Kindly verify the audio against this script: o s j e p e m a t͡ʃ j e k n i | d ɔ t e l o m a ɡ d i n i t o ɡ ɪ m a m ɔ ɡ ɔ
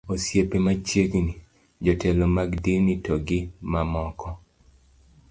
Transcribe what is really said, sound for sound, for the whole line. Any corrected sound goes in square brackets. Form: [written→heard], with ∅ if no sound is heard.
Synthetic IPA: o s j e p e m a t͡ʃ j e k n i | [d→d͡ʒ] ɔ t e l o m a ɡ d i n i t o ɡ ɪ m a m ɔ [ɡ→k] ɔ